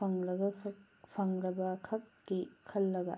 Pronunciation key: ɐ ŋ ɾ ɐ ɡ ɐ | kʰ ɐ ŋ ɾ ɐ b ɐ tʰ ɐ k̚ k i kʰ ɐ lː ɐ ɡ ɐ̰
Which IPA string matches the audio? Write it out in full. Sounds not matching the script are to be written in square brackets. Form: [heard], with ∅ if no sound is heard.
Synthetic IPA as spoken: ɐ ŋ ɾ ɐ ɡ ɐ | [pʰ] ɐ ŋ ɾ ɐ b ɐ [kʰ] ɐ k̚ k i kʰ ɐ lː ɐ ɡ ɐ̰